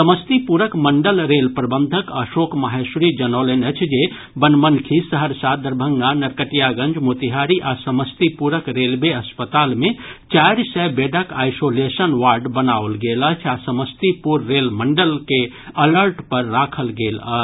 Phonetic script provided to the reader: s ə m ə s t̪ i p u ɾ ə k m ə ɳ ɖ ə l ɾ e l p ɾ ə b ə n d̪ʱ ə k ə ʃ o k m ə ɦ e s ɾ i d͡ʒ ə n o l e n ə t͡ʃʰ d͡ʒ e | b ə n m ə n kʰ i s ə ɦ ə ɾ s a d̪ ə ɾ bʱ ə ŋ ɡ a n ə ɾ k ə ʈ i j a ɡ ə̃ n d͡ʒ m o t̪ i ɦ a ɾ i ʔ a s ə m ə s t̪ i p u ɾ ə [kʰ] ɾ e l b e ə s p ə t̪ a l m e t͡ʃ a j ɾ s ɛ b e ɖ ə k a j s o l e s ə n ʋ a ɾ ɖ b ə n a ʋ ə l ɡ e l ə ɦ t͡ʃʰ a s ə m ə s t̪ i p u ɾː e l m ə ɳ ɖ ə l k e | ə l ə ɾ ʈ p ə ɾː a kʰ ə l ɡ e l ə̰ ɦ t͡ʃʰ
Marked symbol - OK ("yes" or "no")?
no